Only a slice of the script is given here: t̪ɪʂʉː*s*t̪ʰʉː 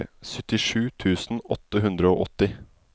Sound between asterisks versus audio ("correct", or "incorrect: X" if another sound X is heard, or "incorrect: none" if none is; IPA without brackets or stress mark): incorrect: none